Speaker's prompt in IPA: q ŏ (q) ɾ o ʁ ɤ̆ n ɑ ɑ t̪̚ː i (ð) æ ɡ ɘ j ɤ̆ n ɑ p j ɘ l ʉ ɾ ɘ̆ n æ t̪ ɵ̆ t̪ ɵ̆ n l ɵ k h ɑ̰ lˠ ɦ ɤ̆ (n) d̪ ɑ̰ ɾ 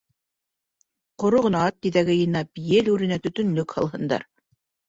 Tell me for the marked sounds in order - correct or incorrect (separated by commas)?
incorrect, correct, correct